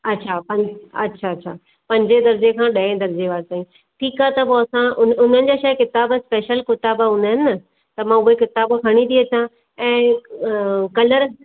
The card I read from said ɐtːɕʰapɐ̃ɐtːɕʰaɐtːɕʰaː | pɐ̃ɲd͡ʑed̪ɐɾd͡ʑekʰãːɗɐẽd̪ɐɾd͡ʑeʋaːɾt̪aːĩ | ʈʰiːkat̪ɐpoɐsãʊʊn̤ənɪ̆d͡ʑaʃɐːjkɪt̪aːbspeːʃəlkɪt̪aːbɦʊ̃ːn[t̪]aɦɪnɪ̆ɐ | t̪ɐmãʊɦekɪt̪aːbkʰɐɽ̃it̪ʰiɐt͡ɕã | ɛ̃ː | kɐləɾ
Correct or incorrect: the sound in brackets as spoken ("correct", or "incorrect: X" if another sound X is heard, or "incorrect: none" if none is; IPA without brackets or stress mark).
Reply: incorrect: d̪